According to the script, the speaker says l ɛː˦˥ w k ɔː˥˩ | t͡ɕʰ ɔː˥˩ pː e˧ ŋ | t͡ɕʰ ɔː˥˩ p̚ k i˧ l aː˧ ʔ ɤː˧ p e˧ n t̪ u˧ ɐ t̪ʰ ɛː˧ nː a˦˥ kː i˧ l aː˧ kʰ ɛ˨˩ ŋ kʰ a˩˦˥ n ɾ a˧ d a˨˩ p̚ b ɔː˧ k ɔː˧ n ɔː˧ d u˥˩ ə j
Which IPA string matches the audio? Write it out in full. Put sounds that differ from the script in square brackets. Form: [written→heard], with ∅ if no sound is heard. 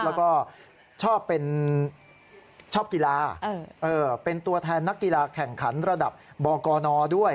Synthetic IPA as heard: l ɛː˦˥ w k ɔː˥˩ | t͡ɕʰ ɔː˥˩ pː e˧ [ŋ→n] | t͡ɕʰ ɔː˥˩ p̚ k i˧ l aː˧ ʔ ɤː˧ p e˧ n t̪ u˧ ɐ t̪ʰ ɛː˧ nː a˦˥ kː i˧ l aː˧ kʰ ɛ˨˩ ŋ kʰ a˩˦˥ n ɾ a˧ d a˨˩ p̚ b ɔː˧ k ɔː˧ n ɔː˧ d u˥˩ ə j